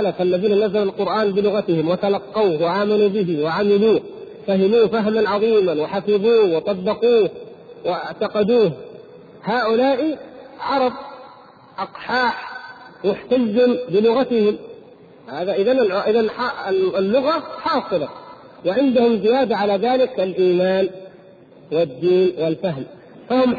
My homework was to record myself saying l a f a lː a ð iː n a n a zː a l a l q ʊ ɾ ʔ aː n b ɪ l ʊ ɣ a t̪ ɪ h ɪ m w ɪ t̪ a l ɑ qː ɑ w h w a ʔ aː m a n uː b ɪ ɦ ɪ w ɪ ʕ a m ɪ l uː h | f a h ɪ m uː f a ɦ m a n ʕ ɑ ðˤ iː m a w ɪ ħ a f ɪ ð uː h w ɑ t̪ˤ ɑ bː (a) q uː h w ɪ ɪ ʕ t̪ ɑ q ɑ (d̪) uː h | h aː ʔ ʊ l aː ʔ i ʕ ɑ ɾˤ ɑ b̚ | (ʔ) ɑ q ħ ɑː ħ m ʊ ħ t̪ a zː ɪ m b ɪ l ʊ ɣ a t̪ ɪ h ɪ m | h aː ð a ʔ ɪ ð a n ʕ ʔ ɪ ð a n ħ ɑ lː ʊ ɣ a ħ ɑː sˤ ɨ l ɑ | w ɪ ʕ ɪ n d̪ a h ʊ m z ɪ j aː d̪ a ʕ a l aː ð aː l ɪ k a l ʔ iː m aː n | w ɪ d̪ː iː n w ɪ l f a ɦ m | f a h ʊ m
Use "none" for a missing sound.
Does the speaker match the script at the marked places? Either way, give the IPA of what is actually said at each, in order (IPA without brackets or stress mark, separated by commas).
ɑ, d̪, ʔ